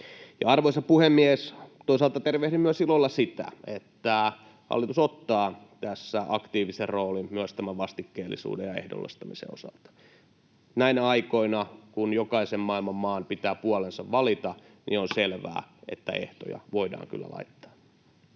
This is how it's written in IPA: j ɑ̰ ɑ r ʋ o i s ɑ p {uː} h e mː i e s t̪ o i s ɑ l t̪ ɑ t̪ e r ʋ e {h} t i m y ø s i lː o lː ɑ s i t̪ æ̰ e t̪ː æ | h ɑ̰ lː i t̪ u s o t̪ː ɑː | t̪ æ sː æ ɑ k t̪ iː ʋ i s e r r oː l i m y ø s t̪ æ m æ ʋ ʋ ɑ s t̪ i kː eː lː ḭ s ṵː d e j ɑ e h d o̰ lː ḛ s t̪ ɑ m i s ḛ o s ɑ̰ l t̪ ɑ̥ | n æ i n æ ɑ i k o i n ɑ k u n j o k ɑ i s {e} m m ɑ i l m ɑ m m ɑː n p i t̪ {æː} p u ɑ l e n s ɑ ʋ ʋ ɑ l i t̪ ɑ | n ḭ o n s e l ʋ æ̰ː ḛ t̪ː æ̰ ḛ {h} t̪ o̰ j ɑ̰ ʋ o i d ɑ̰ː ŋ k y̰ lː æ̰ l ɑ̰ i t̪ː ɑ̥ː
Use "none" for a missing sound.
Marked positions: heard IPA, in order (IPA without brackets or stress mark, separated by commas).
u, h, e, æː, h